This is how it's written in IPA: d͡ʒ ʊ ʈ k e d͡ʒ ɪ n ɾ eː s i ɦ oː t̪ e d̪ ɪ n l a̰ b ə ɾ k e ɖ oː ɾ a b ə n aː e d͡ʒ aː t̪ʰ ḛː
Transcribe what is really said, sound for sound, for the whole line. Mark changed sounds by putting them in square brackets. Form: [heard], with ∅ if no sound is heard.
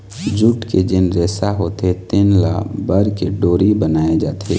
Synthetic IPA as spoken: d͡ʒ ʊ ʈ k e d͡ʒ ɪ n ɾ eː s [a] ɦ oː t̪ e [t̪] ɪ n l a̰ b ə ɾ k e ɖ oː ɾ [i] b ə n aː e d͡ʒ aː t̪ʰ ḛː